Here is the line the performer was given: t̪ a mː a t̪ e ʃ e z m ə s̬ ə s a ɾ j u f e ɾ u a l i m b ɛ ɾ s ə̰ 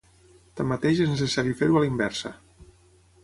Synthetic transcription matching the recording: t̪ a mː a t̪ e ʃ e z n ə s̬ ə s a ɾ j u f e ɾ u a l i m b ɛ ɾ s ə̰